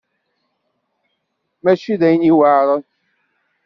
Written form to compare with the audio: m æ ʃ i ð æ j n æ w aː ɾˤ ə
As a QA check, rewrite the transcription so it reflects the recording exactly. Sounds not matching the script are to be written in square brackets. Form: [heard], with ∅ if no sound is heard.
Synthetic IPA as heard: m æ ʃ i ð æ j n [i] w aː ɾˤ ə